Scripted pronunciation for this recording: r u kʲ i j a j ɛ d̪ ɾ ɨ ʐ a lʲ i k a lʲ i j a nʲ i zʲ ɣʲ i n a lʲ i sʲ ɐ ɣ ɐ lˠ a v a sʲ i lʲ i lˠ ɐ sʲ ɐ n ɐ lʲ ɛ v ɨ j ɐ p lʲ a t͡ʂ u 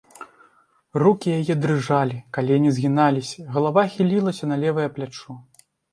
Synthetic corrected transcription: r u kʲ i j a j ɛ d̪ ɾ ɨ ʐ a lʲ i k a lʲ i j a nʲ i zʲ ɣʲ i n a lʲ i sʲ ɐ ɣ ɐ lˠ a v a xʲ i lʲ i lˠ ɐ sʲ ɐ n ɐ lʲ ɛ v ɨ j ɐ p lʲ a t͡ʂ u